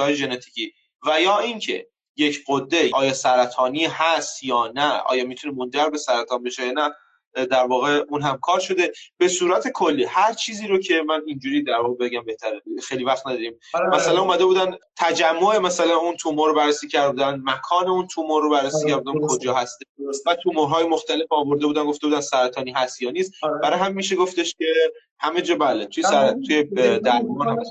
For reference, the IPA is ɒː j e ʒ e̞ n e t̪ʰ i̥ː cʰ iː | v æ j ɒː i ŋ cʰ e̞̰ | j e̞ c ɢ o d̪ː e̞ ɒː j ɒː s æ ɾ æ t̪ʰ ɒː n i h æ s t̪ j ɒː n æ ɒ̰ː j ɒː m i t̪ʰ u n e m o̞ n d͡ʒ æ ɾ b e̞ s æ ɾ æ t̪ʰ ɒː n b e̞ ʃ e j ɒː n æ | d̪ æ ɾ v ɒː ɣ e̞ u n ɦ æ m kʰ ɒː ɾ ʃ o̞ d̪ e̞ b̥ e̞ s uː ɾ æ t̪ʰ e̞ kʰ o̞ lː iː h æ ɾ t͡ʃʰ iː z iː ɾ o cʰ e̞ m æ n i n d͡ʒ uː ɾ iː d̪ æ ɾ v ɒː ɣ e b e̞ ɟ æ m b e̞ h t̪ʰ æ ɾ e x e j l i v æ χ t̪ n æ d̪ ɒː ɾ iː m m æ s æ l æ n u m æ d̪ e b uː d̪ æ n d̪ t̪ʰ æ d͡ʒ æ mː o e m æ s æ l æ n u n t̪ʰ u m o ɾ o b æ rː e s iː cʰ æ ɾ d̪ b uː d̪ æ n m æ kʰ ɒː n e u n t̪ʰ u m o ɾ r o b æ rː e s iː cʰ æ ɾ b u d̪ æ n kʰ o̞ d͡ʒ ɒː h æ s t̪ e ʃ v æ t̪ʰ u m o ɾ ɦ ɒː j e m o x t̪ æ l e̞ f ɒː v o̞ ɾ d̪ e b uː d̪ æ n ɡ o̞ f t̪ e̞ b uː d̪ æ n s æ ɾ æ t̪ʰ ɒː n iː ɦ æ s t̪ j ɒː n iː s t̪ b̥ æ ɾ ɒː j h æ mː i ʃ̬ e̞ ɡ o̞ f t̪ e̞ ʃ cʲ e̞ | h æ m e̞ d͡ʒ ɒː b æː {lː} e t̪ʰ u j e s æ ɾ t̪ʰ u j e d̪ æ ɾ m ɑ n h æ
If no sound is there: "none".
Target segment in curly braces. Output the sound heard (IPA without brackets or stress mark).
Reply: l